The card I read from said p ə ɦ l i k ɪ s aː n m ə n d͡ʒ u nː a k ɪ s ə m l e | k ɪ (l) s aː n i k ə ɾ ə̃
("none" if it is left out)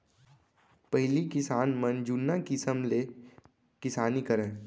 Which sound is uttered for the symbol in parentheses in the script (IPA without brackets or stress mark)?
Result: none